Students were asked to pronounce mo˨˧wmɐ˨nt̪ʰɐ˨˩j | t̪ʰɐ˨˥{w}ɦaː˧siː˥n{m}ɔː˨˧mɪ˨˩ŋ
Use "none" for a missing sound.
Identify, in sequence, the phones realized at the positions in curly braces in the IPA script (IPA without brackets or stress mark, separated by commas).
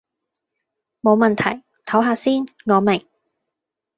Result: w, ŋ